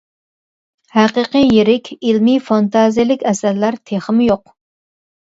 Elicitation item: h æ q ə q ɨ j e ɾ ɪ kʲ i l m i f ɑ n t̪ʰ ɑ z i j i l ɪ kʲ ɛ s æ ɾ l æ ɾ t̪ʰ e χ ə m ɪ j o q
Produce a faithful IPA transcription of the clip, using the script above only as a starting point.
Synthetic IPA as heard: h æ q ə q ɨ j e ɾ ɪ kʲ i l m i f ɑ n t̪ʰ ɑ z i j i l ɪ kʲ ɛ s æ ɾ l æ ɾ t̪ʰ e χ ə m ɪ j o q